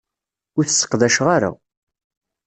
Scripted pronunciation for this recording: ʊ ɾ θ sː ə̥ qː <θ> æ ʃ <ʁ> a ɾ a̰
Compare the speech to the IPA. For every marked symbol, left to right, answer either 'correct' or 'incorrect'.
incorrect: ð, correct

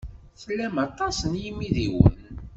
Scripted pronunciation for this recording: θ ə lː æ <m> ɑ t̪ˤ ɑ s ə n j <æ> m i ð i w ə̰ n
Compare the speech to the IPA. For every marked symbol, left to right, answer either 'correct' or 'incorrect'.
correct, incorrect: i

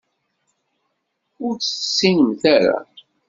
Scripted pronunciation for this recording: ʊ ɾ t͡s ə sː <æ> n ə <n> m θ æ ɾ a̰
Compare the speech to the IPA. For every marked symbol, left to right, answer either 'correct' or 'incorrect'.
incorrect: i, incorrect: none

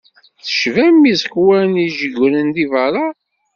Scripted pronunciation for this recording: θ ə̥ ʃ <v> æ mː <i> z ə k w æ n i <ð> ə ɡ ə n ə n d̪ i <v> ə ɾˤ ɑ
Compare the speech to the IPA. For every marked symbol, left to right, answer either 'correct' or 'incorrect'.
correct, correct, incorrect: ʒ, correct

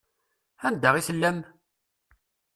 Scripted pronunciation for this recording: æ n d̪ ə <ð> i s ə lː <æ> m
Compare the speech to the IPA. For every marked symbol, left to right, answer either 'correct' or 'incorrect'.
incorrect: ʁ, correct

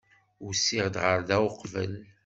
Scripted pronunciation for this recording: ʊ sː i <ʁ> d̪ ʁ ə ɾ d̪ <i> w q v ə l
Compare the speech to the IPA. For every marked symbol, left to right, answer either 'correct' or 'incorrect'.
correct, incorrect: æ

